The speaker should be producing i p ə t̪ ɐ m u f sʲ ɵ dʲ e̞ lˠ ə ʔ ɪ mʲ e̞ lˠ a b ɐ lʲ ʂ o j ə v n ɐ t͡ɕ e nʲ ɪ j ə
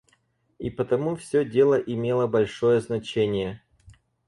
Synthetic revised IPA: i p ə t̪ ɐ m u f sʲ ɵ dʲ e̞ lˠ ə ʔ ɪ mʲ e̞ lˠ ə b ɐ lʲ ʂ o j ə z n ɐ t͡ɕ e nʲ ɪ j ə